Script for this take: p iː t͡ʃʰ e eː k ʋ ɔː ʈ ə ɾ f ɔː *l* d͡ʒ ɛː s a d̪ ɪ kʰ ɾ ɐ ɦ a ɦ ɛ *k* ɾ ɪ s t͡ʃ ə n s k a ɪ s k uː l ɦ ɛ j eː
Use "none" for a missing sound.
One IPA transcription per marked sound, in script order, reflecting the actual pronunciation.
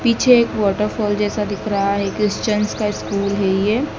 l, k

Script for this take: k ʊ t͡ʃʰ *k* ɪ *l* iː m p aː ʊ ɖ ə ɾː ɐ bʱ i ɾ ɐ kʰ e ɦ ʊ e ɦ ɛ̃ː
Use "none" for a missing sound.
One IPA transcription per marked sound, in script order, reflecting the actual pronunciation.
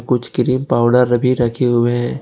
k, ɾ

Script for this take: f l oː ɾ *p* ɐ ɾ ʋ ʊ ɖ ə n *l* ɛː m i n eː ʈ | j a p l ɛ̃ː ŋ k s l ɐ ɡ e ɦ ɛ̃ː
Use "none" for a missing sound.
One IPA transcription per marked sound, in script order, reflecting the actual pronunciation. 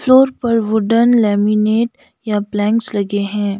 p, l

